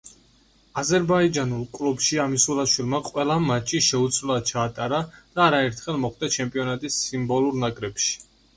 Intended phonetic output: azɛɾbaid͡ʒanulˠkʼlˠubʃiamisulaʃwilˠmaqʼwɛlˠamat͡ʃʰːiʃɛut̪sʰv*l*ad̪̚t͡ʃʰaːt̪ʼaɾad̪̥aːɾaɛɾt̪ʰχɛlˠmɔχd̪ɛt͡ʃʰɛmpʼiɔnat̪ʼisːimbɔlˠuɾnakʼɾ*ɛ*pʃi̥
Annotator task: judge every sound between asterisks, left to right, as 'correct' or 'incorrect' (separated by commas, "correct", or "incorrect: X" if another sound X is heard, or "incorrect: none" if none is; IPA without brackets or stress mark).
correct, correct